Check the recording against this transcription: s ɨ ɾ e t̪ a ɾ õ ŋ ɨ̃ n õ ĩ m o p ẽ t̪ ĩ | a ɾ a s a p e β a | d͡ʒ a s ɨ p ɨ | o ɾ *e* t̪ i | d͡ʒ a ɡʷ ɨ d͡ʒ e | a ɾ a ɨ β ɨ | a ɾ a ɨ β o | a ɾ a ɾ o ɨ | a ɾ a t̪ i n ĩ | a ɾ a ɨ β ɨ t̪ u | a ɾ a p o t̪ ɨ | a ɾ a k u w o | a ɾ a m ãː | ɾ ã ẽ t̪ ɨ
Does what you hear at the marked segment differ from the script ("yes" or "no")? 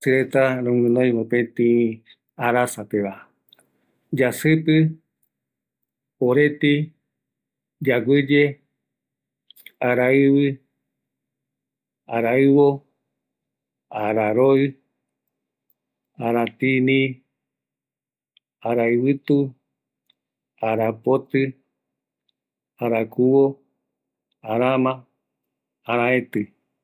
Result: no